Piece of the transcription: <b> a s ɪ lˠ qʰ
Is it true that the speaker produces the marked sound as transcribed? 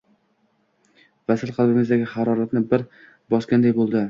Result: no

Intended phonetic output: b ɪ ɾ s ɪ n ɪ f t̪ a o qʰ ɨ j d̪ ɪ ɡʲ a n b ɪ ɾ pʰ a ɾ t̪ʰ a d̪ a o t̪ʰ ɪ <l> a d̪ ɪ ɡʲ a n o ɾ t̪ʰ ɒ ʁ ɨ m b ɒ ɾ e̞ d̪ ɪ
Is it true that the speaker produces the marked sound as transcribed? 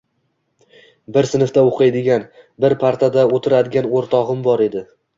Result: no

